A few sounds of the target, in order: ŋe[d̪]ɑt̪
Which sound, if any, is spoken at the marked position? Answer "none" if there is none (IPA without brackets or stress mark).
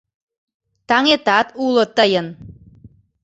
t̪